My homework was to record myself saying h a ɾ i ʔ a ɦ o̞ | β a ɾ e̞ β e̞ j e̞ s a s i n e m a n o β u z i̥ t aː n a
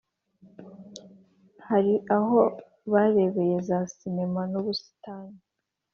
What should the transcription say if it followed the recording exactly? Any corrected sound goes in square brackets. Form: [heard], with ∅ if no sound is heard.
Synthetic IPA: h a ɾ i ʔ a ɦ o̞ | β a ɾ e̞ β e̞ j e̞ [z] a s i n e m a n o β u [s] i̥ t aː n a